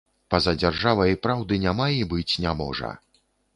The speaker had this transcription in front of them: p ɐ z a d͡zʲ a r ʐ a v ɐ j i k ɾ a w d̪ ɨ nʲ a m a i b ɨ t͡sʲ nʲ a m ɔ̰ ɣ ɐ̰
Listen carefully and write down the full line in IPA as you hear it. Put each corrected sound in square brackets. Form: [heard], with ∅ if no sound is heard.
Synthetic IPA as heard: p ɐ z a d͡zʲ a r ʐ a v ɐ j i [p] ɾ a w d̪ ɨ nʲ a m a i b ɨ t͡sʲ nʲ a m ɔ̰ [ʐ] ɐ̰